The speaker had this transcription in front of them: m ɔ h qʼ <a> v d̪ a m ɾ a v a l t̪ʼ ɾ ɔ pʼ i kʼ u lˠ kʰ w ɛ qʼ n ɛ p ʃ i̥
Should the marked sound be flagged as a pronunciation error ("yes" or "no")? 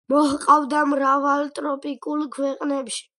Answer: no